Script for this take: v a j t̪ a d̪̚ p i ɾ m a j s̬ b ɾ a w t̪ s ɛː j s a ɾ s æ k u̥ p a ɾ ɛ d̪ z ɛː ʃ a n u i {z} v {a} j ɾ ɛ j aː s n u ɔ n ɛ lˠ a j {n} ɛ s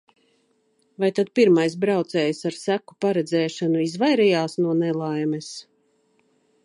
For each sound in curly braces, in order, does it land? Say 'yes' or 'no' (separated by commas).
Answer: yes, yes, no